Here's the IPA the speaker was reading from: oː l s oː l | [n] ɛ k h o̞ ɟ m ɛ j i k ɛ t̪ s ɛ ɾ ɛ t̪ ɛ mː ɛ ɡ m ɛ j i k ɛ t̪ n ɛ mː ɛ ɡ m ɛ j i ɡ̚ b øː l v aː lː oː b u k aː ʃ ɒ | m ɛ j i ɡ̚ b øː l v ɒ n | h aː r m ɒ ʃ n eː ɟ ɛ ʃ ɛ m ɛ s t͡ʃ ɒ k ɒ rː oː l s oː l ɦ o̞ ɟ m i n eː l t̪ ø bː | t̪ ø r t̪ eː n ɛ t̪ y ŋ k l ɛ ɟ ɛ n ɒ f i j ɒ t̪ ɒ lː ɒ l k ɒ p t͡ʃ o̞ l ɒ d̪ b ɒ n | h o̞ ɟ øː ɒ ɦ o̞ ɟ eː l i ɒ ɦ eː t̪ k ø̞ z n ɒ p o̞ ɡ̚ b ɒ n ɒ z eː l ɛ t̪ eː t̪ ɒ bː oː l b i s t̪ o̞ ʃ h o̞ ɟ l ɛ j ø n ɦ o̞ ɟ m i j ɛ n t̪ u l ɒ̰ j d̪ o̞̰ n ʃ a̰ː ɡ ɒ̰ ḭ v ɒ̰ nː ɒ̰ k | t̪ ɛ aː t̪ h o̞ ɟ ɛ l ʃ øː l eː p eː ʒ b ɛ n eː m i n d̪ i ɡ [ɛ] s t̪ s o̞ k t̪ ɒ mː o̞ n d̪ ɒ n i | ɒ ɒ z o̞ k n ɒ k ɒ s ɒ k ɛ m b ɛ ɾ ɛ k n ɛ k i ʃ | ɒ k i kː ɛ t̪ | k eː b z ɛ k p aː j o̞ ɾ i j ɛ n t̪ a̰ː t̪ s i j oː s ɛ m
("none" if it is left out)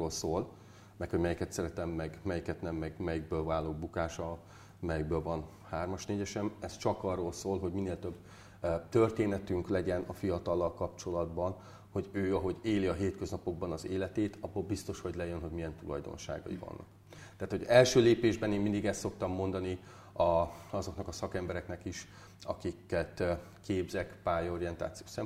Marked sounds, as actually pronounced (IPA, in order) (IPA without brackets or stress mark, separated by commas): m, ɛ